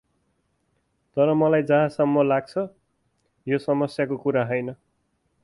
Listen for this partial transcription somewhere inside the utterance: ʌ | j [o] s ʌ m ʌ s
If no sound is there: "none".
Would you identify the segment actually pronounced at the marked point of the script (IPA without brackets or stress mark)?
o